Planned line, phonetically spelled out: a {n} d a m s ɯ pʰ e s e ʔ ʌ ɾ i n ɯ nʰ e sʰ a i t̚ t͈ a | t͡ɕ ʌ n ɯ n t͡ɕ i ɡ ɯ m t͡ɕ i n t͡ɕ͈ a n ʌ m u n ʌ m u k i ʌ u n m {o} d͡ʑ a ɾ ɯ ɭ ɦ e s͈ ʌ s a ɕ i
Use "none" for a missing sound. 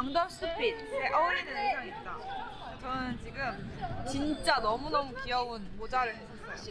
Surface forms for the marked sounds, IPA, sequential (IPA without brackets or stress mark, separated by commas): ŋ, o